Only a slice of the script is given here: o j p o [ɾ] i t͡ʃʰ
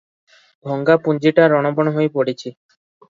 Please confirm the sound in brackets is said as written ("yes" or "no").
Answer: no